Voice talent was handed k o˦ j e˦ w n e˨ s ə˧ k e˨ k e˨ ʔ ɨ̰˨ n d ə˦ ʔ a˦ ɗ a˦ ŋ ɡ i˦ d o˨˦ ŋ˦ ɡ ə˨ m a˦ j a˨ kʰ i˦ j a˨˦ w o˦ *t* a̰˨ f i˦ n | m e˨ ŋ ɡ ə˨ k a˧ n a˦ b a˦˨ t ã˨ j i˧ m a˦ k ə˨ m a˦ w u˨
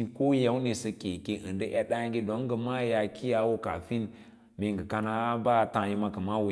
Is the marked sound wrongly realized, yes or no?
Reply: yes